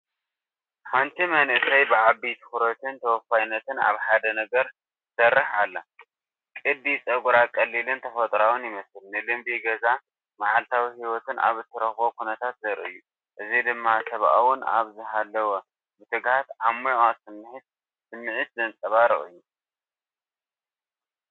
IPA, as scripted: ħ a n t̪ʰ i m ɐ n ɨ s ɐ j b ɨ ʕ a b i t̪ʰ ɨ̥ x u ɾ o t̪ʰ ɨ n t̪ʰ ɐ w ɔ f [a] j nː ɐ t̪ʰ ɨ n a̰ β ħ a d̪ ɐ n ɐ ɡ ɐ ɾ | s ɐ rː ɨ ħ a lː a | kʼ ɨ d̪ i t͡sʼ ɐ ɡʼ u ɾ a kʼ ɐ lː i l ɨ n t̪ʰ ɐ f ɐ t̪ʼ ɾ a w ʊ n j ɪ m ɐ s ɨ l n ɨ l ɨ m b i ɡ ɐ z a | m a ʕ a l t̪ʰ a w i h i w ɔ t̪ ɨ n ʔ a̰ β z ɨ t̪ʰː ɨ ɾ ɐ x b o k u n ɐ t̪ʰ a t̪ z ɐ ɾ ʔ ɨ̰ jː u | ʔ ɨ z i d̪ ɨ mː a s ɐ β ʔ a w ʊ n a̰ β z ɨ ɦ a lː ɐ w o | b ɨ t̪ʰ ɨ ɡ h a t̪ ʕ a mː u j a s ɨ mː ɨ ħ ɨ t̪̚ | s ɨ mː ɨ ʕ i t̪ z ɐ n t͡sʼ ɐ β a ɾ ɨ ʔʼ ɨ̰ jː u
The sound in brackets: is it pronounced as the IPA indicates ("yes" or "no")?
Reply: yes